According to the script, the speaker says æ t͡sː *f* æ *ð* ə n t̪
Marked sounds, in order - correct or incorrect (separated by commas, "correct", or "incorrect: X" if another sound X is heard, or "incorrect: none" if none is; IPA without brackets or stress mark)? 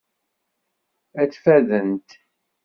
correct, correct